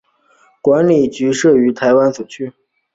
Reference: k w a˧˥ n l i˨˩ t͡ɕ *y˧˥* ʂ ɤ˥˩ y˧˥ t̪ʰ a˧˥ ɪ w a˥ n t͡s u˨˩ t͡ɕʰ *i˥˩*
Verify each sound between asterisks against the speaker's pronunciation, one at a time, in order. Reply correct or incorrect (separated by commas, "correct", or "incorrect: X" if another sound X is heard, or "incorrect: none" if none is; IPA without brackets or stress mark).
correct, incorrect: y˥˩